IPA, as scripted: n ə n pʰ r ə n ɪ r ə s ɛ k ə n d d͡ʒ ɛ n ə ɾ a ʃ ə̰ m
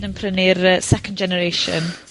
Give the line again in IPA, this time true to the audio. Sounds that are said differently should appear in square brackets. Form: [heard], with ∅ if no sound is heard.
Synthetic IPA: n ə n pʰ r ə n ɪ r ə s ɛ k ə n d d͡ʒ ɛ n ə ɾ [e] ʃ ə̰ [n]